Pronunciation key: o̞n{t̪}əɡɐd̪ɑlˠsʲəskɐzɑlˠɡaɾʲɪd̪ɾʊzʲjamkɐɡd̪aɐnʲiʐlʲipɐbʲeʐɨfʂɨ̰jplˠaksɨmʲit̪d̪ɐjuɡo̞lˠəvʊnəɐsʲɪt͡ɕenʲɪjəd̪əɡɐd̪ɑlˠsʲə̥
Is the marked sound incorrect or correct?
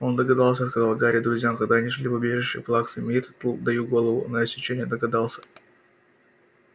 incorrect